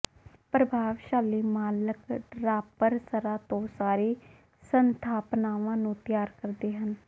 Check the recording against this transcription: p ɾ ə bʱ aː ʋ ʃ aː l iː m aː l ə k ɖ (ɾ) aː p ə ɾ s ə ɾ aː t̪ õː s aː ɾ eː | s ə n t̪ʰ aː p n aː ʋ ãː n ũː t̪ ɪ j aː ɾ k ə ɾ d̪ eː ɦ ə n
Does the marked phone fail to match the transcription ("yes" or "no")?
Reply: no